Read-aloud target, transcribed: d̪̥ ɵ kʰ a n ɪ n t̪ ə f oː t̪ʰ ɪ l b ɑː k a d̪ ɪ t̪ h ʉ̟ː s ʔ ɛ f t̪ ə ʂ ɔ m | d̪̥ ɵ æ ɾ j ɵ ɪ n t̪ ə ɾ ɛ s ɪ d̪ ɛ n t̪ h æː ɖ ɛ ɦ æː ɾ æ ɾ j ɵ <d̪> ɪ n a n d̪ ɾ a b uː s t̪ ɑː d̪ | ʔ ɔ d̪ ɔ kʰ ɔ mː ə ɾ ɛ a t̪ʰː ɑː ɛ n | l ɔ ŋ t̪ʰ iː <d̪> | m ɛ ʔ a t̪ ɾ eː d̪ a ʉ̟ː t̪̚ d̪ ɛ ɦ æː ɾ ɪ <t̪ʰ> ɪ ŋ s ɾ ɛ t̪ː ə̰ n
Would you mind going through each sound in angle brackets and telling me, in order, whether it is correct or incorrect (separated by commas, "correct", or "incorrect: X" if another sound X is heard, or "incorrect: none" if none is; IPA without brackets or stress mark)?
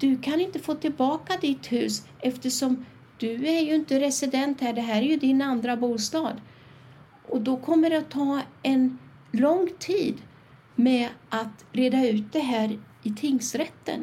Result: correct, correct, correct